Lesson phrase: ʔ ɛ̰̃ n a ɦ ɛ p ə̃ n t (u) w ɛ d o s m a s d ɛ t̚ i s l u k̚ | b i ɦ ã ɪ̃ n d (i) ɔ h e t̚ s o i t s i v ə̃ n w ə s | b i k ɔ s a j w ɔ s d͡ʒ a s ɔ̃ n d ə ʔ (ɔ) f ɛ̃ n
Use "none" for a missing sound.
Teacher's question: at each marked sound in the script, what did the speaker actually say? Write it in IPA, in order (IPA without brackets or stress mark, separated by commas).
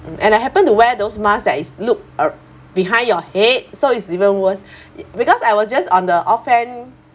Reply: u, j, ɔ